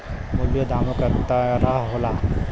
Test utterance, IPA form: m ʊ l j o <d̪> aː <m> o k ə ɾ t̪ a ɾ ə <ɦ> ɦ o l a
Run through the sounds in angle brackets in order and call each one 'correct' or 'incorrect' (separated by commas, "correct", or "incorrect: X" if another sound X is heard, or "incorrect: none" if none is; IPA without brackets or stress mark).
correct, correct, correct